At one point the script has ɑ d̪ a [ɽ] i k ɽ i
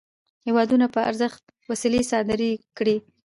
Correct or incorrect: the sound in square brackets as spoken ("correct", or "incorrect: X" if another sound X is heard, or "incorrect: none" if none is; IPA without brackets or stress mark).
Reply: incorrect: ɾ